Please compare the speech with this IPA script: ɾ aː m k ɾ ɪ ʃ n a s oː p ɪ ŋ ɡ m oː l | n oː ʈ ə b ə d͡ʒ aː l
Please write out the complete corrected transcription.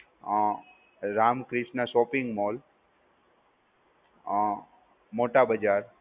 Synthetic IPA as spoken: ɾ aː m k ɾ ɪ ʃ n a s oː p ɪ ŋ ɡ m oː l | m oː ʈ a b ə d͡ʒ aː ɾ